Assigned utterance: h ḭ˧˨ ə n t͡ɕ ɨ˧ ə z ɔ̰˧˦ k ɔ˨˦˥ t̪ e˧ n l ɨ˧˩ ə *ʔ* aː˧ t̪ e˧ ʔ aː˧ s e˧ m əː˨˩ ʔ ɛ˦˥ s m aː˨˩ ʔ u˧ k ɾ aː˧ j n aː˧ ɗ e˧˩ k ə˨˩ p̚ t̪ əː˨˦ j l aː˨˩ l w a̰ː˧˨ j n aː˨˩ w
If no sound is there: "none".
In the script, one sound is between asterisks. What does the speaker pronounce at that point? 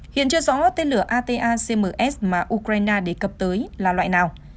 ʔ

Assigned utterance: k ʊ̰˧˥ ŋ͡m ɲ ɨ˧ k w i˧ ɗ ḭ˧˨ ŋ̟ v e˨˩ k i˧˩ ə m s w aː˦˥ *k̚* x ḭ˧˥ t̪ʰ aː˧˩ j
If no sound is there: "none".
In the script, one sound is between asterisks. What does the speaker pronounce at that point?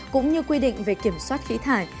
t̚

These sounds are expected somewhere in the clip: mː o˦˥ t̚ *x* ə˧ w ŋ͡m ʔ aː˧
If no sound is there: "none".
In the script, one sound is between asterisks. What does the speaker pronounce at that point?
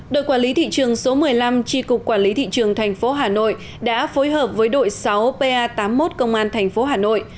k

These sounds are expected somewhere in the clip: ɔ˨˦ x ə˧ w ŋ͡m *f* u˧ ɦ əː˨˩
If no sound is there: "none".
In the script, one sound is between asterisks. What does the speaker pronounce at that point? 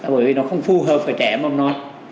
f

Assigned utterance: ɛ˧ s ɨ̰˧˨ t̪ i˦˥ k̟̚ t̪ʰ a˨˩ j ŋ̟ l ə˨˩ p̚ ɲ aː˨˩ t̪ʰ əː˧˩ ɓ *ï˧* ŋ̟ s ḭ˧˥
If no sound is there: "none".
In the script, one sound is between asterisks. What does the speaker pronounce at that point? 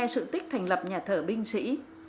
ï˧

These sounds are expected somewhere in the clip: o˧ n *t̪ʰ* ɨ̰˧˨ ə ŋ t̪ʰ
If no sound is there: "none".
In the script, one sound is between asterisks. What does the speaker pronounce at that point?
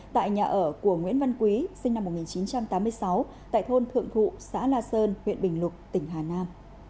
t̪ʰ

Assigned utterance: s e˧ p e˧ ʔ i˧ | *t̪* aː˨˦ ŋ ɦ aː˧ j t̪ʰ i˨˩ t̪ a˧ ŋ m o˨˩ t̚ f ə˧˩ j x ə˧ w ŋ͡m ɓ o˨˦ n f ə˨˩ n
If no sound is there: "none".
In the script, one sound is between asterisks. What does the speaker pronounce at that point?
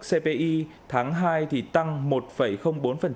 t̪ʰ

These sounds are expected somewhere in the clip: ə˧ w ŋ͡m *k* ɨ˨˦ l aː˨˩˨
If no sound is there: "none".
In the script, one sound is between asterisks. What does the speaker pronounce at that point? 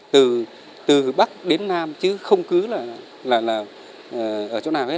k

